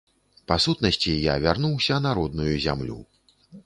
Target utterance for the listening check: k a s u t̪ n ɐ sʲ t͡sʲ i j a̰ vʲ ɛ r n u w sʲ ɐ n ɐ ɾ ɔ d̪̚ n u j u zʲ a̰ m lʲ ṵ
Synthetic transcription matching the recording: p a s u t̪ n ɐ sʲ t͡sʲ i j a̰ vʲ a r n u w sʲ ɐ n a ɾ ɔ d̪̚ n u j u zʲ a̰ m lʲ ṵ

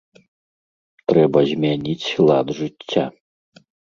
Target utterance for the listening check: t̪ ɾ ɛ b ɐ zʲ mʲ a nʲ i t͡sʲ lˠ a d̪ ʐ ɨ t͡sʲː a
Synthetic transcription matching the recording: t̪ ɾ ɛ b ɐ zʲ mʲ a nʲ i t͡sʲ lˠ a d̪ ʐ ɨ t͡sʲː a

